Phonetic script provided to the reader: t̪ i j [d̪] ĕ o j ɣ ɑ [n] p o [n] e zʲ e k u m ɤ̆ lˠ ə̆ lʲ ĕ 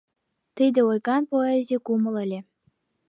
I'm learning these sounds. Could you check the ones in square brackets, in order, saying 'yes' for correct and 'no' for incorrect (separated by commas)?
yes, yes, no